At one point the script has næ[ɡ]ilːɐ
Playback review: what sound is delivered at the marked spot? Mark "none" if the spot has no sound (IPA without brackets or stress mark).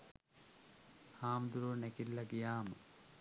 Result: k